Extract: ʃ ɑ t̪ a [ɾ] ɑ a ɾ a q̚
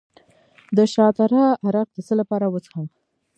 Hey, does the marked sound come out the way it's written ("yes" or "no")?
yes